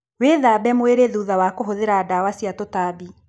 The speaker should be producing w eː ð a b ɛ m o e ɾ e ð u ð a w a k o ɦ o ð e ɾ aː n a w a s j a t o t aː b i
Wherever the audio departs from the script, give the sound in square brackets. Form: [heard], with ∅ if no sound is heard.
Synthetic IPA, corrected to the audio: w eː ð a b ɛ m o e ɾ e ð u ð a w a k o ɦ o ð e ɾ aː [d] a w a s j a t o t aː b i